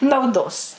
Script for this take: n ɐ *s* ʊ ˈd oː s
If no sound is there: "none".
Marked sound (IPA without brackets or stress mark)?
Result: none